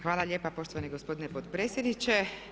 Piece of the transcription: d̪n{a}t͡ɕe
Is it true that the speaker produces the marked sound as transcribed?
no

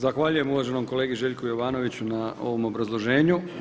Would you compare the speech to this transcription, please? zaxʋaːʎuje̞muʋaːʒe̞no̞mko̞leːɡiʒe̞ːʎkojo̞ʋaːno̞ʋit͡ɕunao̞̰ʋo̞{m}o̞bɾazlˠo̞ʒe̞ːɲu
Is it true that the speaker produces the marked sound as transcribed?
yes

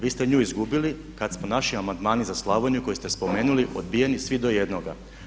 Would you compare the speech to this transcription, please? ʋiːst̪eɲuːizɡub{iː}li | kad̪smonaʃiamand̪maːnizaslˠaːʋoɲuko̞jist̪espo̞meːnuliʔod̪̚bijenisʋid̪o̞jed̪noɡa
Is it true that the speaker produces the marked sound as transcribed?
no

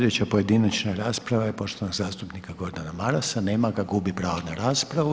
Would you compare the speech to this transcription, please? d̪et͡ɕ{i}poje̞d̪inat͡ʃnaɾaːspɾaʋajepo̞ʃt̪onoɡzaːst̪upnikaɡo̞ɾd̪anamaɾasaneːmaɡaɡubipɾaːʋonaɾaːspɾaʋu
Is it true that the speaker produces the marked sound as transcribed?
no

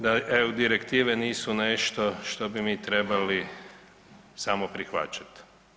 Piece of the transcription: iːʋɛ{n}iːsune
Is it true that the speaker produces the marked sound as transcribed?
yes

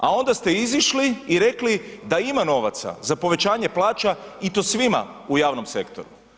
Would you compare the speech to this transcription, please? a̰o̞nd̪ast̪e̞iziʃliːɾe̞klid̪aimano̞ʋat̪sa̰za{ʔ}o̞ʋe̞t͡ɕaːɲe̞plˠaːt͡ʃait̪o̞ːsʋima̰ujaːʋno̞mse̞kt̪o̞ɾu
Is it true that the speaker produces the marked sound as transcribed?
no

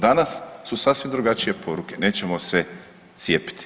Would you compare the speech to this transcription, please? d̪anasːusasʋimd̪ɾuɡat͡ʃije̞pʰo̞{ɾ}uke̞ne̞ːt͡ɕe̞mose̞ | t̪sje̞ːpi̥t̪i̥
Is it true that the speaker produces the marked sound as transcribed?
yes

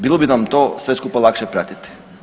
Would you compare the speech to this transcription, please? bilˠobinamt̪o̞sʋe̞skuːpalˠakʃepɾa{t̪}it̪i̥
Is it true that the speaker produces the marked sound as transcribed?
yes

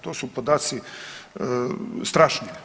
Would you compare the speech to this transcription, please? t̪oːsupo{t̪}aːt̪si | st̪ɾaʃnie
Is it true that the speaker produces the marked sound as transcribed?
no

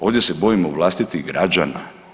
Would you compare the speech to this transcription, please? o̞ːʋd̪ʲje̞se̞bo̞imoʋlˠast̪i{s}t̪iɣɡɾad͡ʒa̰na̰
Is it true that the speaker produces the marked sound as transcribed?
no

